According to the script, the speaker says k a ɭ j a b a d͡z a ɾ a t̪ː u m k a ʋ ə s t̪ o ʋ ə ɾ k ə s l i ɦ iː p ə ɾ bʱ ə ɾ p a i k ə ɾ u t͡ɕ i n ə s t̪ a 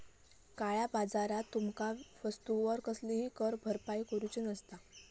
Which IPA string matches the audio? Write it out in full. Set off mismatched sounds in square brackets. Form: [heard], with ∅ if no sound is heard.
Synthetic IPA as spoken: k a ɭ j a b a d͡z a ɾ a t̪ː u m k a ʋ ə s t̪ [u] ʋ ə ɾ k ə s l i ɦ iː [k] ə ɾ bʱ ə ɾ p a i k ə ɾ u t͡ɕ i n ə s t̪ a